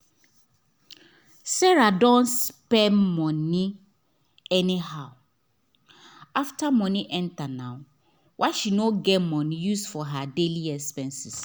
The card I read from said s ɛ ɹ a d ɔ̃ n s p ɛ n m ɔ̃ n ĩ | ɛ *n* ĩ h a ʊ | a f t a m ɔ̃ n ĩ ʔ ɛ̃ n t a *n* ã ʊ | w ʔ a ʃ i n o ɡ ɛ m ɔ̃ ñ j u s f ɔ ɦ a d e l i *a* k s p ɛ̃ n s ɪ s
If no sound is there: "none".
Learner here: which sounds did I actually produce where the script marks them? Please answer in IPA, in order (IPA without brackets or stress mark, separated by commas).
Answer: n, n, ɛ